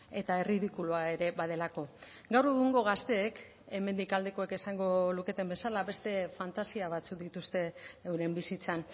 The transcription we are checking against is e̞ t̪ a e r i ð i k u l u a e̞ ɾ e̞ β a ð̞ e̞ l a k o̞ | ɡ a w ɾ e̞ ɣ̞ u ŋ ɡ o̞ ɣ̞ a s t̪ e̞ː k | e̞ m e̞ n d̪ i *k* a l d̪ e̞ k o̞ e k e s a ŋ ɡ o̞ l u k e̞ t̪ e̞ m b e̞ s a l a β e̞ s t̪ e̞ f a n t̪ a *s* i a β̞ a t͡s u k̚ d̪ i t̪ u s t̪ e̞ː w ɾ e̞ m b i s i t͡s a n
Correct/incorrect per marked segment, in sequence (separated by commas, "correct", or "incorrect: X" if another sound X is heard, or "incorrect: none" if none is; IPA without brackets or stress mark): correct, correct